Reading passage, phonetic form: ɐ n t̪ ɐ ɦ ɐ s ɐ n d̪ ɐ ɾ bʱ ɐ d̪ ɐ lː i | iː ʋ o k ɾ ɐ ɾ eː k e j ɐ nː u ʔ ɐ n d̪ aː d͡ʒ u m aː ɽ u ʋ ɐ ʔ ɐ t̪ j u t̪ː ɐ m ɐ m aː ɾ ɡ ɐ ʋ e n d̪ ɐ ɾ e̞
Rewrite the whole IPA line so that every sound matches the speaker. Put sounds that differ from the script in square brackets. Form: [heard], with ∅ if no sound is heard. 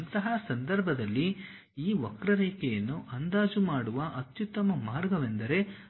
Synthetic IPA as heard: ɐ n t̪ ɐ ɦ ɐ s ɐ n d̪ ɐ ɾ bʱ ɐ d̪ ɐ lː i | iː ʋ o k ɾ ɐ ɾ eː k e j ɐ nː u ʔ ɐ n d̪ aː d͡ʒ u m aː ɽ u ʋ ɐ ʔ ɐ t̪ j u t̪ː ɐ m ɐ m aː ɾ ɡ ɐ ʋ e n d̪ ɐ ɾ e̞